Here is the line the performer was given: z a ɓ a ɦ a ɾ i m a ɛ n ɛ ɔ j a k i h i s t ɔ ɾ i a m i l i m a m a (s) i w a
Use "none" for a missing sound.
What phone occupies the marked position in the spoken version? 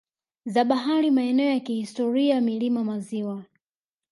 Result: z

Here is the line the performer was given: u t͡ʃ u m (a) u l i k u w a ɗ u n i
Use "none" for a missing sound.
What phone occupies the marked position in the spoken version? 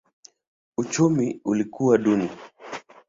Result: i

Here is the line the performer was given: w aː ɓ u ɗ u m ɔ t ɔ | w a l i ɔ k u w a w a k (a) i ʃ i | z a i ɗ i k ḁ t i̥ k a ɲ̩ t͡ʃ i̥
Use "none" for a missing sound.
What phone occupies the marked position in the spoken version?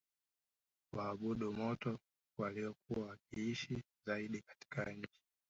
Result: i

